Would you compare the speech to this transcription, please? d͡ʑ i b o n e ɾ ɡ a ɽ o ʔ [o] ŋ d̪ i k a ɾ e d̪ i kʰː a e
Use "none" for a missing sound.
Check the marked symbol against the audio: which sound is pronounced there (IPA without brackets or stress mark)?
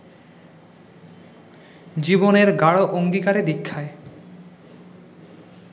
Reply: o